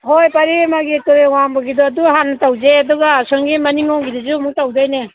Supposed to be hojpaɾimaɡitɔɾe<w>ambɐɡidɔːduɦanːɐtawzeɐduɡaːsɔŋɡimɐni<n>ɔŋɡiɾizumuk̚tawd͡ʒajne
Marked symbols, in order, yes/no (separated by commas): yes, no